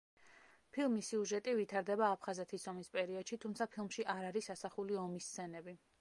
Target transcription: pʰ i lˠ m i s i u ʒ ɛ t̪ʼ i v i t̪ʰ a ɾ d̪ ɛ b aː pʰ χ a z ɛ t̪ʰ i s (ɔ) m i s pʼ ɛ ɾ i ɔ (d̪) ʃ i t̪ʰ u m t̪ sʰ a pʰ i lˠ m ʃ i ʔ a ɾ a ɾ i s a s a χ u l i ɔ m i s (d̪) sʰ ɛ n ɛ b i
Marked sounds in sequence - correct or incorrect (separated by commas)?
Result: correct, correct, incorrect